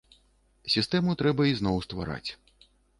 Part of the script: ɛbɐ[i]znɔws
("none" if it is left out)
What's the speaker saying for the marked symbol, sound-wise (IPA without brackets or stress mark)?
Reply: i